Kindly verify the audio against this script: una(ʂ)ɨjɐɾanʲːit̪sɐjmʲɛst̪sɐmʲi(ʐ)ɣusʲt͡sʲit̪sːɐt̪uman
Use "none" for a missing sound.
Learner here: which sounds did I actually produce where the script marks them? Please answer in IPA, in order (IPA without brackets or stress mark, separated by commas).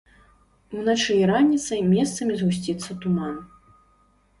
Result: t͡ʂ, z